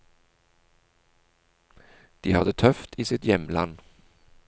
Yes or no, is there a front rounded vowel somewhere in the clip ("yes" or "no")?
yes